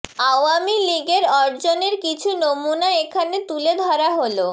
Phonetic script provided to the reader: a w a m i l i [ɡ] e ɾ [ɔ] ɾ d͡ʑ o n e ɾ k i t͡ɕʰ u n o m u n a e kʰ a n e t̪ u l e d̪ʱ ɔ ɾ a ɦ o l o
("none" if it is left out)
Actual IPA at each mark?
ɡ, ɔ

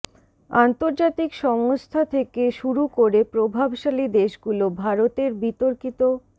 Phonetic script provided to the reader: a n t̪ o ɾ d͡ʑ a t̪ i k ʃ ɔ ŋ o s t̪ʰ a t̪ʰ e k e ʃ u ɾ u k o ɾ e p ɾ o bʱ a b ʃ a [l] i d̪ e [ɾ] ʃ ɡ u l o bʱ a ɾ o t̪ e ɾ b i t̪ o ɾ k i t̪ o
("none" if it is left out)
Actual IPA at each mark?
l, none

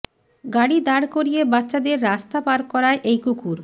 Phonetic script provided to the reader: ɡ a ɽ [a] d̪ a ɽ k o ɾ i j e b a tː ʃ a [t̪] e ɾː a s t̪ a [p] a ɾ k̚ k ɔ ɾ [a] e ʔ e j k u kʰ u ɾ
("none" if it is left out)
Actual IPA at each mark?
i, d̪, p, a

